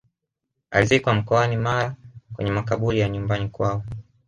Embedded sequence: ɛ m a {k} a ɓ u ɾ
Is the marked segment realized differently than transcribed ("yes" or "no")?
no